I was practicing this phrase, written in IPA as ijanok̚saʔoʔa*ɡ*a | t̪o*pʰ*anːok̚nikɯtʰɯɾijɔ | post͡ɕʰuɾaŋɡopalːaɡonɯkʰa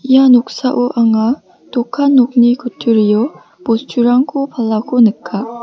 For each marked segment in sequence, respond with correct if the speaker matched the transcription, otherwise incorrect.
incorrect: ŋ, incorrect: kʰ

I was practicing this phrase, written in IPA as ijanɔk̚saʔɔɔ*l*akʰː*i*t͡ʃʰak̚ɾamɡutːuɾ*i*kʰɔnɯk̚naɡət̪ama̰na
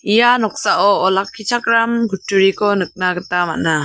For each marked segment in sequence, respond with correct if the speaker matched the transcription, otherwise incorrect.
correct, correct, correct

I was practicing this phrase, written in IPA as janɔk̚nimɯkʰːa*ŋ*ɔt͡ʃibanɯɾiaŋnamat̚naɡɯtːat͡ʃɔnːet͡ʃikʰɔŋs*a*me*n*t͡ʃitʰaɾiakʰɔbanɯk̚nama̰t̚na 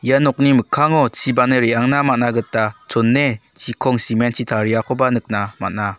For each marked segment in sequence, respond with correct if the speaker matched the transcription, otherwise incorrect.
correct, incorrect: i, correct

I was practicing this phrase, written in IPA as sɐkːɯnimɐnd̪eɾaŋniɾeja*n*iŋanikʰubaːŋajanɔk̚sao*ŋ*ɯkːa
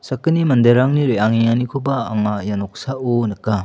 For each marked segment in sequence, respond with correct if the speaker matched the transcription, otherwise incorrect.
incorrect: ŋ, incorrect: n

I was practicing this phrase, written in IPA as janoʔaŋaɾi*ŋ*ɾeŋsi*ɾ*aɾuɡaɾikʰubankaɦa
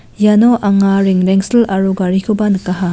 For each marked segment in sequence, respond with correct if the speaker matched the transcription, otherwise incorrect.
correct, incorrect: l

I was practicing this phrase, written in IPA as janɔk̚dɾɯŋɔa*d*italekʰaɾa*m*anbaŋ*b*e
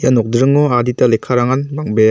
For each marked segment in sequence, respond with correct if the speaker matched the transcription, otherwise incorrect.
correct, incorrect: ŋ, correct

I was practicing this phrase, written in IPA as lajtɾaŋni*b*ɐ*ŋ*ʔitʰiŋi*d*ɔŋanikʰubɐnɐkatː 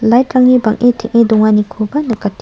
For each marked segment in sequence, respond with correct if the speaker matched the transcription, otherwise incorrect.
correct, correct, correct

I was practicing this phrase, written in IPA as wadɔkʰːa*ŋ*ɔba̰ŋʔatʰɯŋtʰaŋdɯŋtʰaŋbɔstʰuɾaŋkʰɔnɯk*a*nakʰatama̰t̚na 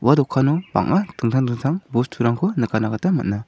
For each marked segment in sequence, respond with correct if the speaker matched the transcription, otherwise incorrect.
incorrect: n, correct

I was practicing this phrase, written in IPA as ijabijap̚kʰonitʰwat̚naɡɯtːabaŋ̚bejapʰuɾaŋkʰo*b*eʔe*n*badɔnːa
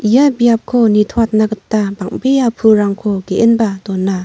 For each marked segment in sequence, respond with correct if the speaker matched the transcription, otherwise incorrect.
incorrect: ɡ, correct

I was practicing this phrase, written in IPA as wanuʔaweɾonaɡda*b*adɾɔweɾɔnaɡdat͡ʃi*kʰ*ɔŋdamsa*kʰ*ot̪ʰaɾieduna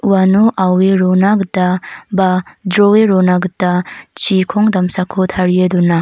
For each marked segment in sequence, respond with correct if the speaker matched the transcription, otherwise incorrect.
correct, correct, correct

